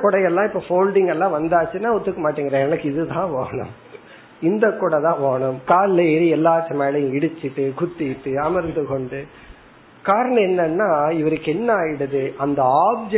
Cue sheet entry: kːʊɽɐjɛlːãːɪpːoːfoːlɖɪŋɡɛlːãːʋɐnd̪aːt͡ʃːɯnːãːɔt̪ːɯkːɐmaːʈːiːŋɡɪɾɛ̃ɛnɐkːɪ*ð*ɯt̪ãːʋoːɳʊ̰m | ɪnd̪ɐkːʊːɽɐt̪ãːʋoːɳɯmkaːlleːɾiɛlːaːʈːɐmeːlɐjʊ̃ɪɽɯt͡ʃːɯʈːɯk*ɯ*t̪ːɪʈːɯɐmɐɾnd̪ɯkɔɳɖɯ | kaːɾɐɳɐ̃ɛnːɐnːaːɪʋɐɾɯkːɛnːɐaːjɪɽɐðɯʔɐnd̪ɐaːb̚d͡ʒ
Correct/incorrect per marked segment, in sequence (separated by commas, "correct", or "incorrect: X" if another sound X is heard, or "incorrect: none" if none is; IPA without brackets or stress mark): correct, incorrect: ʊ